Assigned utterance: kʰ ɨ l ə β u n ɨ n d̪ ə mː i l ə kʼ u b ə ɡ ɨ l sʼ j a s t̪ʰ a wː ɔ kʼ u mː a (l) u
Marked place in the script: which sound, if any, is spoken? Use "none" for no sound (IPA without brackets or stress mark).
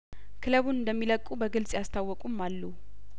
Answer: lː